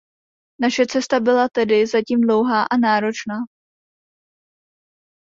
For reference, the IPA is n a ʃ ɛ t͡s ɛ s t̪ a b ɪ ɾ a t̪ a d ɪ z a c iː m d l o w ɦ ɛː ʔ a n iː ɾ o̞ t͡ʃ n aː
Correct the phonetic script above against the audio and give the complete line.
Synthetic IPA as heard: n a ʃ ɛ t͡s ɛ s t̪ a b ɪ l a t̪ ɛ d ɪ z a c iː m d l o w ɦ aː ʔ a n aː ɾ o̞ t͡ʃ n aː